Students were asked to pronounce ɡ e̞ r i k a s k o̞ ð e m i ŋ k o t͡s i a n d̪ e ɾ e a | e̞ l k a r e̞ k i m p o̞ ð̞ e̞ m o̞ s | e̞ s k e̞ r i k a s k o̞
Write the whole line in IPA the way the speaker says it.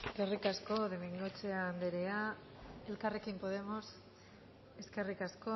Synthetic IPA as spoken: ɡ e̞ r i k a s k o̞ ð e m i ŋ ɡ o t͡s e a n d̪ e ɾ e a | e̞ l k a r e̞ k i m p o̞ ð̞ e̞ m o̞ s | e̞ s k e̞ r i k a s k o̞